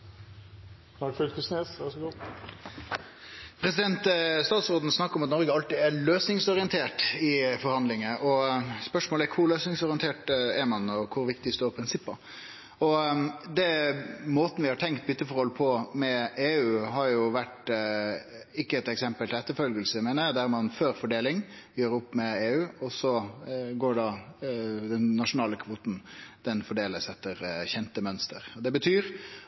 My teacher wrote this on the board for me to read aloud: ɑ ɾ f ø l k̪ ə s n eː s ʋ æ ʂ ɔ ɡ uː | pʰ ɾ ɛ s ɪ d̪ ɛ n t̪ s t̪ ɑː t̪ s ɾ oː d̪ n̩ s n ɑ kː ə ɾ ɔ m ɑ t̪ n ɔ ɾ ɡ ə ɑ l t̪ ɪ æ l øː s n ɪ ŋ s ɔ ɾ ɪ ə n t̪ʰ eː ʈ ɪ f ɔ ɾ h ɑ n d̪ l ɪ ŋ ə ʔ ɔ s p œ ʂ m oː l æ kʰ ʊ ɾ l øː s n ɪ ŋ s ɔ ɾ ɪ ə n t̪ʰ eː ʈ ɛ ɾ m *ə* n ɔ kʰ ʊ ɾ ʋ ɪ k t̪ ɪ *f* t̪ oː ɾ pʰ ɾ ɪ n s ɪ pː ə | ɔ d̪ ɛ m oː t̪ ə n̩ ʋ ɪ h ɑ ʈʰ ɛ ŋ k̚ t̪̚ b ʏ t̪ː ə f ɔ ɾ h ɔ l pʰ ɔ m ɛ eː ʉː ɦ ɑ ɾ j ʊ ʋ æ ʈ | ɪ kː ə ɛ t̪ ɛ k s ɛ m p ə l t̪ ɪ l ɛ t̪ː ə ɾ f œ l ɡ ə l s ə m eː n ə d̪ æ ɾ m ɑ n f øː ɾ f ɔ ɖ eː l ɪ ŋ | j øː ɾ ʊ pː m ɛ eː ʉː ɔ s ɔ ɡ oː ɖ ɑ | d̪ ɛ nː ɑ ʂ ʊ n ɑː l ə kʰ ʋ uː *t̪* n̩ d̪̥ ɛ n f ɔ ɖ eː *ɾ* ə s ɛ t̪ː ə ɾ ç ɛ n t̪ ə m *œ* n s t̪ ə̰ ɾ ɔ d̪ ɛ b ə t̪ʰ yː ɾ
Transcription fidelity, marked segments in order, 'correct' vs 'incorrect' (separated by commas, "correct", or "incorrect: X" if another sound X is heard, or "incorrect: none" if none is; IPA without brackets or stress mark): incorrect: ɑ, incorrect: s, correct, incorrect: l, correct